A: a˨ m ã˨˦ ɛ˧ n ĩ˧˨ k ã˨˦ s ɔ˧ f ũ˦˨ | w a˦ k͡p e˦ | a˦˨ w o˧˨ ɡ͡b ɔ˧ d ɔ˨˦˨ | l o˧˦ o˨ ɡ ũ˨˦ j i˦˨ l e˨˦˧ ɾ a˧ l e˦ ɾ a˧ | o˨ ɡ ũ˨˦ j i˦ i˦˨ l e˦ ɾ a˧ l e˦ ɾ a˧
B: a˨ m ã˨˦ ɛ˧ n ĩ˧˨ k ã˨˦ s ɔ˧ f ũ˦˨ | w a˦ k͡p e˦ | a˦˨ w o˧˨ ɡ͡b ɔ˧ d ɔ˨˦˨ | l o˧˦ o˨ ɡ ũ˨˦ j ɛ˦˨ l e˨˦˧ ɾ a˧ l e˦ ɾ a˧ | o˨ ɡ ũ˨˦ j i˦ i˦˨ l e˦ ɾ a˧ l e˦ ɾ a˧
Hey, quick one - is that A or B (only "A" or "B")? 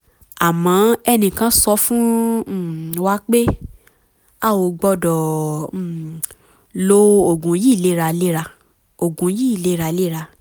A